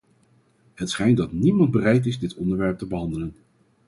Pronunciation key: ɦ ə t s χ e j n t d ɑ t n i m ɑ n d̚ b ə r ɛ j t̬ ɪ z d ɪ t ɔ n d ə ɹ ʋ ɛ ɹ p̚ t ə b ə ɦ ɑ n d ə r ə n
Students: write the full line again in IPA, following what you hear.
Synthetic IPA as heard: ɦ ə t s χ ɛ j n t d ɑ t n i m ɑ n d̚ b ə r ɛ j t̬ ɪ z d ɪ t ɔ n d ə ɹ ʋ ɛ ɹ p̚ t ə b ə ɦ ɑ n d ə l ə n